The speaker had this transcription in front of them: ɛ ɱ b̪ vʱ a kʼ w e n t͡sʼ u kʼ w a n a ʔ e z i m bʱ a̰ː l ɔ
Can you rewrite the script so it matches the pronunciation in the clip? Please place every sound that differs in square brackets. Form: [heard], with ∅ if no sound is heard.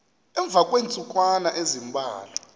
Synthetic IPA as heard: ɛ ɱ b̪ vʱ a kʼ w e n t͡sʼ u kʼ w a n a ʔ e z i m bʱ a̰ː l ɔ